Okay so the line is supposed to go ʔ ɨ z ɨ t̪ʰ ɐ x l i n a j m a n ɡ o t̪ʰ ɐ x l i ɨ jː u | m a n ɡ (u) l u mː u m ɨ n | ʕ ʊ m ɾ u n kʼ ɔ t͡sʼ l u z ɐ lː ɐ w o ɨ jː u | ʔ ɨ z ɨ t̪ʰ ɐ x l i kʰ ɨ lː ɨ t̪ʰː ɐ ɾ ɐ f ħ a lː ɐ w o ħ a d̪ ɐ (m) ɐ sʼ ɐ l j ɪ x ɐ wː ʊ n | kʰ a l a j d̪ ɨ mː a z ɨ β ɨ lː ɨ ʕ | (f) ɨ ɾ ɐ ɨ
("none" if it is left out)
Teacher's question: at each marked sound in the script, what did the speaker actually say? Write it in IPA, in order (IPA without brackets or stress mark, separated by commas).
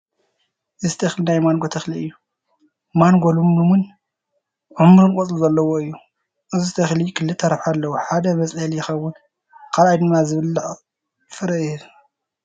o, m, f